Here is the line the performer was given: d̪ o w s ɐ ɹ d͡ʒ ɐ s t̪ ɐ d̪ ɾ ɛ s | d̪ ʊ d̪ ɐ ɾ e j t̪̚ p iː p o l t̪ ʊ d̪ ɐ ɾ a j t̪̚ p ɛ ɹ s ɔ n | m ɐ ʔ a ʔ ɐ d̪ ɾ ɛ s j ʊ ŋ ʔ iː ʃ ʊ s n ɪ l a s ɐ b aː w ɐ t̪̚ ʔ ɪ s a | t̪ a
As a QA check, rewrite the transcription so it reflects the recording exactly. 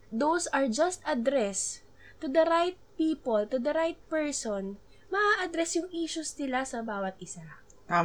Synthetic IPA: d̪ o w s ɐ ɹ d͡ʒ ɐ s t̪ ɐ d̪ ɾ ɛ s | t̪ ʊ d̪ ɐ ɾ a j t̪̚ p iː p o l t̪ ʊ d̪ ɐ ɾ a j t̪̚ p ɛ ɹ s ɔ n | m ɐ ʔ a ʔ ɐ d̪ ɾ ɛ s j ʊ ŋ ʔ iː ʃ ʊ s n ɪ l a s ɐ b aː w ɐ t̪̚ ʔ ɪ s a | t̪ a